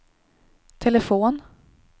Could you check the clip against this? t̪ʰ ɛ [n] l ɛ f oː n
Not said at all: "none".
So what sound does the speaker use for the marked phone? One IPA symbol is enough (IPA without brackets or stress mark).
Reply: none